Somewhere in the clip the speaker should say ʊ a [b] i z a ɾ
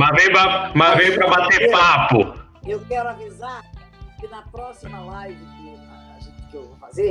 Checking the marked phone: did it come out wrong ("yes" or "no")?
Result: yes